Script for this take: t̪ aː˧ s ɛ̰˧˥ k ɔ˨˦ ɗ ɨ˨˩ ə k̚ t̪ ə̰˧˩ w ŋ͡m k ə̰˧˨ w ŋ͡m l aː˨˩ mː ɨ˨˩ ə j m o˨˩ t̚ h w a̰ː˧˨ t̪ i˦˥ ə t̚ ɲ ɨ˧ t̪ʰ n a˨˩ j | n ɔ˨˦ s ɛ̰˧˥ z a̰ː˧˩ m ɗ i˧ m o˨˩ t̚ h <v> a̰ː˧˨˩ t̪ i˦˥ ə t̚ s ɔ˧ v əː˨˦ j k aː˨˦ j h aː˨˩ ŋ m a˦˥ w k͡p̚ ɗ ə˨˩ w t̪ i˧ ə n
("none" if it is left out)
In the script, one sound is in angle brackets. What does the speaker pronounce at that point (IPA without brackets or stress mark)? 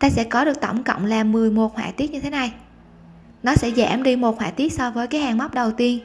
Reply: w